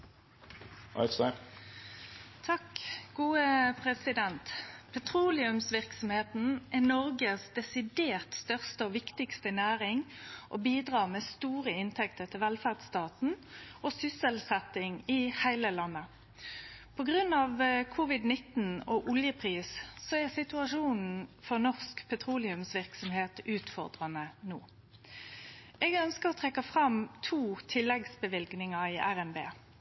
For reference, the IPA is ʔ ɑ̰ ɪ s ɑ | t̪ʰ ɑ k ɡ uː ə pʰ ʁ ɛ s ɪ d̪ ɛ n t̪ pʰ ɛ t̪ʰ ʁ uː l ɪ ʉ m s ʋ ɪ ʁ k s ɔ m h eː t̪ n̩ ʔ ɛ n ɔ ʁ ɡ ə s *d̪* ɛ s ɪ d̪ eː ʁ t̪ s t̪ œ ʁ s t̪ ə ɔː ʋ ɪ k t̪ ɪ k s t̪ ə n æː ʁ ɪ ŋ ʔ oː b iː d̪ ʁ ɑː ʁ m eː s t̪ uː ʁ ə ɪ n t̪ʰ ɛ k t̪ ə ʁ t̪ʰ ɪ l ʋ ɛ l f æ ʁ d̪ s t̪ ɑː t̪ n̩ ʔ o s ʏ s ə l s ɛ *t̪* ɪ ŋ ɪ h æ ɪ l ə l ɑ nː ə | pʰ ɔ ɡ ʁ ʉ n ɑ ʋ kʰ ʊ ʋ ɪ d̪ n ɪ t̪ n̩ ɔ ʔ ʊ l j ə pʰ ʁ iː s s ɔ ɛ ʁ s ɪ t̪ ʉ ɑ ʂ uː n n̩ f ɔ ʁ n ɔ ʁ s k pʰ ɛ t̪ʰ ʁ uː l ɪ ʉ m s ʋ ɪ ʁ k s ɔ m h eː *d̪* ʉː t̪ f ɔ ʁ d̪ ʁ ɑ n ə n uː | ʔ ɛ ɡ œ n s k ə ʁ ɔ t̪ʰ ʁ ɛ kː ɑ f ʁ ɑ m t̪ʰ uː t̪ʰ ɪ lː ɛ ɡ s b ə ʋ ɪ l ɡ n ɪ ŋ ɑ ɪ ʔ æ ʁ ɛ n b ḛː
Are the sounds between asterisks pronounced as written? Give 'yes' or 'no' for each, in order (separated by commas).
yes, yes, no